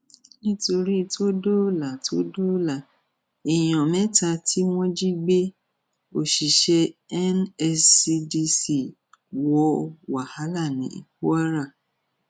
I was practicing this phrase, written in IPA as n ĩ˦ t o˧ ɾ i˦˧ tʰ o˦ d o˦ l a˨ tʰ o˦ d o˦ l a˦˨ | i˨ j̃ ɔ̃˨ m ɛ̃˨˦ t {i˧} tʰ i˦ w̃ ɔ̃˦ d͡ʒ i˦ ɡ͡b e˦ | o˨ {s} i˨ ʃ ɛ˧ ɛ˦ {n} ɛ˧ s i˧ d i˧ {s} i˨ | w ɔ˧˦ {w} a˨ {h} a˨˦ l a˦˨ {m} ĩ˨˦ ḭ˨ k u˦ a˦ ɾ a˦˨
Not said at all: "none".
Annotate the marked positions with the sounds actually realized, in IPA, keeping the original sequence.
a˧, ʃ, n, s, w, h, n

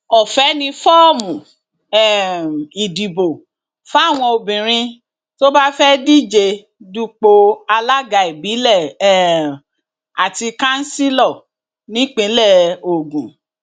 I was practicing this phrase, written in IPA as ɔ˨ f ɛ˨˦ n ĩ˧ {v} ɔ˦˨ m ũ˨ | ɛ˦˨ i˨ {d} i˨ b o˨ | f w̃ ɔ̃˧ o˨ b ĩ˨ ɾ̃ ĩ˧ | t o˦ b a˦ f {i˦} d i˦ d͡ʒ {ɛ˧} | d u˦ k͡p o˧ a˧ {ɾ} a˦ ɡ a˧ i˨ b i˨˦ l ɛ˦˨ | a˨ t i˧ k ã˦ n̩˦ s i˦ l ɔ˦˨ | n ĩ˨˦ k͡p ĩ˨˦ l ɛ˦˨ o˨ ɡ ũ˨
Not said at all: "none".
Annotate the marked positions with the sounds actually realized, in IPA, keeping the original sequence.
f, d, ɛ˦, e˧, l

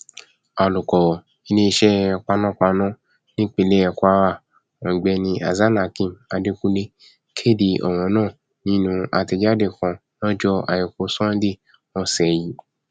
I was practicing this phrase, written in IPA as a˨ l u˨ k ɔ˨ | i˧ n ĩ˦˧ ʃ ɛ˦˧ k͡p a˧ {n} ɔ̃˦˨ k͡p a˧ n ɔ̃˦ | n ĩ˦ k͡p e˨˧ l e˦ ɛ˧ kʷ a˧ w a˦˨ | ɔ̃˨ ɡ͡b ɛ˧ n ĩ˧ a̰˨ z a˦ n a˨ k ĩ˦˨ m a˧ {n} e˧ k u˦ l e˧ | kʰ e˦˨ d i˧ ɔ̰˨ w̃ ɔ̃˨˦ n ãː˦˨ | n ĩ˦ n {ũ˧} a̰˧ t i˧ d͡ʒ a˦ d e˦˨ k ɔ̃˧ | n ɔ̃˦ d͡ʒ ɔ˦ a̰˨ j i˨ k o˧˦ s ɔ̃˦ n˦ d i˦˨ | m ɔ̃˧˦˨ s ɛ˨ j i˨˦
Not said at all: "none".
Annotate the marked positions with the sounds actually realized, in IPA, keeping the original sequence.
n, d, ũ˧

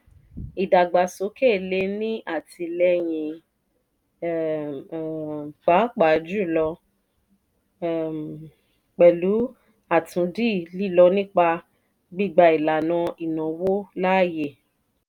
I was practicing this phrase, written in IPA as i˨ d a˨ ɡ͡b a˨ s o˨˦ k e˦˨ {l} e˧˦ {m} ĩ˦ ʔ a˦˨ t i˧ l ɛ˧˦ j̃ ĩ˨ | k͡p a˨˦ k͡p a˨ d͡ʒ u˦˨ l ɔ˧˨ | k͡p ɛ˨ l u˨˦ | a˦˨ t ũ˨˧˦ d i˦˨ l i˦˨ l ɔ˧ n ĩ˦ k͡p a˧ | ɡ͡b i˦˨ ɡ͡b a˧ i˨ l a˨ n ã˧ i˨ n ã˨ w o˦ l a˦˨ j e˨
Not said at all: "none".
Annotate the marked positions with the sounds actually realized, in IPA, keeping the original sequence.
l, n

